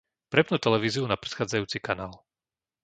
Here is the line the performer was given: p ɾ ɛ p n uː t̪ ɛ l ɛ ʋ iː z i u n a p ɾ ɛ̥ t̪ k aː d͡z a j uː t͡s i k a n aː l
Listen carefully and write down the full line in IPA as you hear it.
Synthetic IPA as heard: p ɾ ɛ p n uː t̪ ɛ l ɛ ʋ iː z i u n a p ɾ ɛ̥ t̪ x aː d͡z a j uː t͡s i k a n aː l